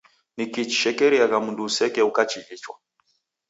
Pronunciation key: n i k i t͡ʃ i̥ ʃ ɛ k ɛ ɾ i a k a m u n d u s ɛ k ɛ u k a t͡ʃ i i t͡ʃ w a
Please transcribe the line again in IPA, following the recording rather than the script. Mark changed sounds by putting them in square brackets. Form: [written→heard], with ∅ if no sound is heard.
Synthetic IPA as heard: n i k i t͡ʃ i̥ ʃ ɛ k ɛ ɾ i a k a m u n d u s ɛ k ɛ u k a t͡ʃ i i t͡ʃ w a

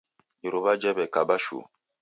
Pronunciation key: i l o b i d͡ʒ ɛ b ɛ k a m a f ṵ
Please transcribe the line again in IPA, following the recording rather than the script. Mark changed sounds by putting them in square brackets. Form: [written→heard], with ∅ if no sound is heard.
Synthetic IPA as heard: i [l→ɾ] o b [i→a] d͡ʒ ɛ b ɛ k a [m→b] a [f→ʃ] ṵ

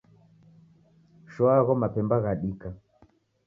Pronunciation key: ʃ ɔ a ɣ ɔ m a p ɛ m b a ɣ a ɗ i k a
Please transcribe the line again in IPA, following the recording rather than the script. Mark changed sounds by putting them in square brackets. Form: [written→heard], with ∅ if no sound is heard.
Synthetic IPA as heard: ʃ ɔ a ɣ ɔ m a p ɛ m b a ɣ a ɗ i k a

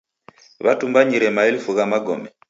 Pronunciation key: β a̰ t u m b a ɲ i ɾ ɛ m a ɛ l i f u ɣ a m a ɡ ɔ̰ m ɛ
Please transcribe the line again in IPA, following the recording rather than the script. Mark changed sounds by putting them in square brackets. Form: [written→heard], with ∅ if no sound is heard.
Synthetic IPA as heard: β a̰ t u m b a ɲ i ɾ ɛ m a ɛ l i f u ɣ a m a ɡ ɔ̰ m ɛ

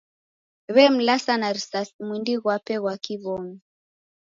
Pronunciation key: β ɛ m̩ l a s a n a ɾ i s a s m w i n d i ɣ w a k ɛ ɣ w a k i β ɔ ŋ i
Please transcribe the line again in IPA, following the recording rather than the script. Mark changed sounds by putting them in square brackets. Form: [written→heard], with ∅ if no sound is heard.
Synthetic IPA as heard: β ɛ m̩ l a s a n a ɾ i s a s m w i n d i ɣ w a [k→p] ɛ ɣ w a k i β ɔ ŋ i

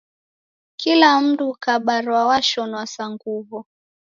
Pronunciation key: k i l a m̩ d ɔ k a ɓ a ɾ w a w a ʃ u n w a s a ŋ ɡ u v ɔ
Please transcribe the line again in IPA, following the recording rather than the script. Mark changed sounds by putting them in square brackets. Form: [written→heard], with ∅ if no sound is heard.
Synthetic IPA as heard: k i l a m̩ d [ɔ→u] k a ɓ a ɾ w a w a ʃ [u→ɔ] n w a s a ŋ ɡ u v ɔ

